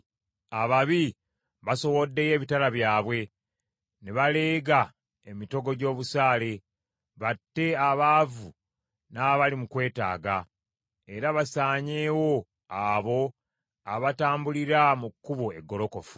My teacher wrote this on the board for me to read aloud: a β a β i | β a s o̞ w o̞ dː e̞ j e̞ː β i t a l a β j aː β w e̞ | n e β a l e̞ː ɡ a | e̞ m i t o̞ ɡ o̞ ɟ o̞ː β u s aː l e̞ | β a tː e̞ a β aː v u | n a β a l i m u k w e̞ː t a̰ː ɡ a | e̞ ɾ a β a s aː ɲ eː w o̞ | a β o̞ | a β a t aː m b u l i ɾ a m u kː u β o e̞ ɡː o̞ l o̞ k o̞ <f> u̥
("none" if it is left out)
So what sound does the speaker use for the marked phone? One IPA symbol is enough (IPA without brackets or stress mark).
f